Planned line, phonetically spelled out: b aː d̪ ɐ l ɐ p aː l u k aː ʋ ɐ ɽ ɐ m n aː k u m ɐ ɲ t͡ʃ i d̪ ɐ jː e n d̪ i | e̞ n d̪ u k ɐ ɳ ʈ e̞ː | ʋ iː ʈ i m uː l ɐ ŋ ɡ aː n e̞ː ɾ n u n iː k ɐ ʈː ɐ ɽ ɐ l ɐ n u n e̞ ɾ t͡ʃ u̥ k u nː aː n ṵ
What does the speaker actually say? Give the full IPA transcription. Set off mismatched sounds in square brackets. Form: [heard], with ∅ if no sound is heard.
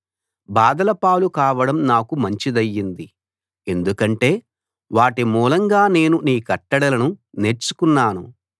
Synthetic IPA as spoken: b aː d̪ ɐ l ɐ p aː l u k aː ʋ ɐ ɽ ɐ m n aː k u m ɐ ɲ t͡ʃ i d̪ ɐ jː [i] n d̪ i | e̞ n d̪ u k ɐ ɳ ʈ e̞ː | ʋ [aː] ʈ i m uː l ɐ ŋ ɡ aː n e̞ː [∅] n u n iː k ɐ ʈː ɐ ɽ ɐ l ɐ n u n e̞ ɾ t͡ʃ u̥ k u nː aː n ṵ